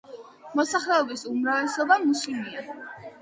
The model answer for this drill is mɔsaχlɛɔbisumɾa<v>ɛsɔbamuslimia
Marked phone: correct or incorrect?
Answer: correct